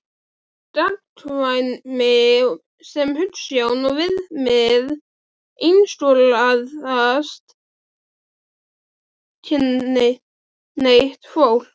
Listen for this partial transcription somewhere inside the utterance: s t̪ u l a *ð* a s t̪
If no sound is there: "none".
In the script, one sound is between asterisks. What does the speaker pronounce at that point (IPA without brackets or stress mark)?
ð